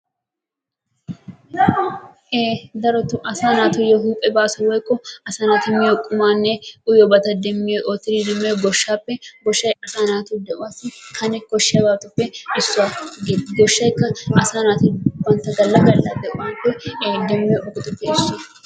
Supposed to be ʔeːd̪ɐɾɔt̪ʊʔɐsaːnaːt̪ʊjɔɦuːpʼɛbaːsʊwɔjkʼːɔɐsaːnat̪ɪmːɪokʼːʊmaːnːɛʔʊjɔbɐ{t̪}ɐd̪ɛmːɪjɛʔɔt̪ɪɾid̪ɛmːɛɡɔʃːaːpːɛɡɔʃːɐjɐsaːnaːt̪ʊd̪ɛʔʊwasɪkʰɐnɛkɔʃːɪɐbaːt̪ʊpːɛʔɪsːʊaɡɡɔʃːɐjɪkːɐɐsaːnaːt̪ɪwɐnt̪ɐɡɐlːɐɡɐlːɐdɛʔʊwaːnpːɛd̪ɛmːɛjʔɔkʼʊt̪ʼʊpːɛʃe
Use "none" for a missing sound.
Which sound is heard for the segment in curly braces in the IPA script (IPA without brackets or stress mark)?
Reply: t̪